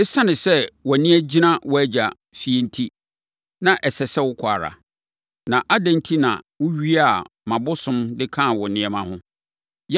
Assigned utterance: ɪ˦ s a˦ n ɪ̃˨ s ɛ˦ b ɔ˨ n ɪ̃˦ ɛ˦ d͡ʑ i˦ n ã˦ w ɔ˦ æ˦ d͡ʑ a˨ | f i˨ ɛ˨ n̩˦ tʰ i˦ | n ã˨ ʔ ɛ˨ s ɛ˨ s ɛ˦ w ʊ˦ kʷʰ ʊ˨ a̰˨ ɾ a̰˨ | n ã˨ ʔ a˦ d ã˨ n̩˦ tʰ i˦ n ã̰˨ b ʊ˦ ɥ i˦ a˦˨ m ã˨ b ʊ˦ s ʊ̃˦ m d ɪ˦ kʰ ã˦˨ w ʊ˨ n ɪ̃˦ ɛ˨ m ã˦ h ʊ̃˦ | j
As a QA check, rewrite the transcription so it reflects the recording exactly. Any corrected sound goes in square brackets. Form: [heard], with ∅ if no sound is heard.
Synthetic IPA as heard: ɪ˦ s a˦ n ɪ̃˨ s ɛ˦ [w] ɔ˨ n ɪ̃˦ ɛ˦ d͡ʑ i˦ n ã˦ w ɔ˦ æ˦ d͡ʑ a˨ | f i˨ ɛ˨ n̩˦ tʰ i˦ | n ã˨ ʔ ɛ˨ s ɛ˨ s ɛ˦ w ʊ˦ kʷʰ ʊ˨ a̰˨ ɾ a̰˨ | n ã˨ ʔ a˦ d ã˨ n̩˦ tʰ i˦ n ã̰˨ [w] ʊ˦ ɥ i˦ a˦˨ m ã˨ b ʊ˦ s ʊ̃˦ m d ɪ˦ kʰ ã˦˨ w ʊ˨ n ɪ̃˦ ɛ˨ m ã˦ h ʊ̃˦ | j